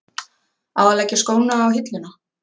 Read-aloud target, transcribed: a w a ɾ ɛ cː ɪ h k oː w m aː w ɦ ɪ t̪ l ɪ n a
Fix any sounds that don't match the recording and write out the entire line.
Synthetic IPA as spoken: a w a l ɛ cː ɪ s k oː w n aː w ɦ ɪ t̪ l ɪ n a